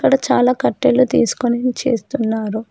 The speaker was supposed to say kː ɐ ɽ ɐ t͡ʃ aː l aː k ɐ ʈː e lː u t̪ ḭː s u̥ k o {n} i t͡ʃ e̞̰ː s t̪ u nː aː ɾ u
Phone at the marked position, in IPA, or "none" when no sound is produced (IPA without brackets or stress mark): n